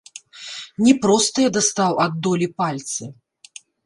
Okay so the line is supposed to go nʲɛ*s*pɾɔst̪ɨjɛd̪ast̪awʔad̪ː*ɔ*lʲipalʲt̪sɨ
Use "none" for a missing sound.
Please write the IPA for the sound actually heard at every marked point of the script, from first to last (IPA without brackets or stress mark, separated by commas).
none, ɔ